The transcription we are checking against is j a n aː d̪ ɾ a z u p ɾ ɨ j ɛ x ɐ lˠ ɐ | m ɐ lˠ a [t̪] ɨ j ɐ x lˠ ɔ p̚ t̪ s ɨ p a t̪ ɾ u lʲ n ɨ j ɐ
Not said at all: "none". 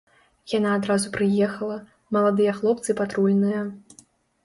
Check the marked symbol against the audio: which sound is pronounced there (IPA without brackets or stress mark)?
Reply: d̪